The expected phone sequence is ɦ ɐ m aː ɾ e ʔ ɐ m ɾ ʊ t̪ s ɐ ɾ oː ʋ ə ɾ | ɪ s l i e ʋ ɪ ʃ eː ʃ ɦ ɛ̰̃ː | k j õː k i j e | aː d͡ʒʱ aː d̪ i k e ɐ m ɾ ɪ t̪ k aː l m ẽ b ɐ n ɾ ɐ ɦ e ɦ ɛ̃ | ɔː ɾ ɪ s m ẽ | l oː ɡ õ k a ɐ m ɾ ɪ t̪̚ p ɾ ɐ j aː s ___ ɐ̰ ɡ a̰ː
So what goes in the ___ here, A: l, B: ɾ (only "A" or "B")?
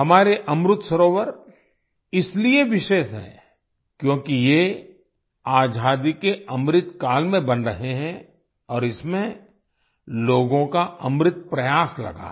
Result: A